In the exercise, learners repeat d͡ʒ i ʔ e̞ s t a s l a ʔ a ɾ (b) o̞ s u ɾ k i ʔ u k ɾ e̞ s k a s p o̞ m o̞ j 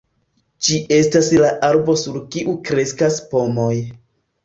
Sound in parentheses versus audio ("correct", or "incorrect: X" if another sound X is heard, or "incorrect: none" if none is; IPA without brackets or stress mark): correct